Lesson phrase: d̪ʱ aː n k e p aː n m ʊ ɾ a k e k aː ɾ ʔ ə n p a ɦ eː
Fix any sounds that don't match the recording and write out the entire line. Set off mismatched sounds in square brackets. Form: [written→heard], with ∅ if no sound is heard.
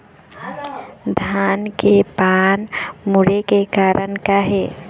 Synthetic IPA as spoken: d̪ʱ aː n k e p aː n m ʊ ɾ [a→e] k e k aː ɾ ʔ ə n [p→k] a ɦ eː